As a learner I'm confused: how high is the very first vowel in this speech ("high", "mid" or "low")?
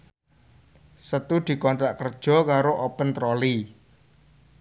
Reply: mid